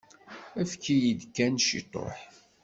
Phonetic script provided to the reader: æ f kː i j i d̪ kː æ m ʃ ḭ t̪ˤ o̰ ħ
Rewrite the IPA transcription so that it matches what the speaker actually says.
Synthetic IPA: æ f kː i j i d̪ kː æ n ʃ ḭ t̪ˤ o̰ ħ